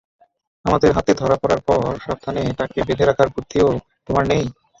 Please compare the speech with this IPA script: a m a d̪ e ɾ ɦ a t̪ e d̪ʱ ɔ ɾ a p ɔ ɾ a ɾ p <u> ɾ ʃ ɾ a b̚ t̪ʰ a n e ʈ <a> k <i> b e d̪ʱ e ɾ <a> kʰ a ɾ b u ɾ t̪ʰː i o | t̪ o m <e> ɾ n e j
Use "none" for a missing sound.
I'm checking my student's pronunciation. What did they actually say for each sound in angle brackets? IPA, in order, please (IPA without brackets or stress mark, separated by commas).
ɔ, a, e, a, a